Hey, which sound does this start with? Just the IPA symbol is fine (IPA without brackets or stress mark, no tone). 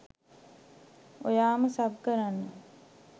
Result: o